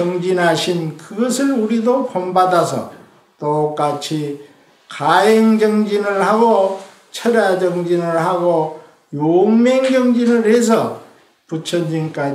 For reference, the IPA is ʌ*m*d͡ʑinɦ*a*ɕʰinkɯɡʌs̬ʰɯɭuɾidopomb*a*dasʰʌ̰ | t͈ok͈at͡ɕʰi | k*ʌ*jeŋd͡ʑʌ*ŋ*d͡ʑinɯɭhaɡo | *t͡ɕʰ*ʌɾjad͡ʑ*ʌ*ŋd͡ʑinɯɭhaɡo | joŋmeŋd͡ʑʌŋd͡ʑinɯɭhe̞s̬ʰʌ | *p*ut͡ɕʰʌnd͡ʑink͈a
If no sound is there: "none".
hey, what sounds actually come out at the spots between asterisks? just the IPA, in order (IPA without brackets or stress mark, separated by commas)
ŋ, a, a, a, ŋ, t͡ɕʰ, ʌ, p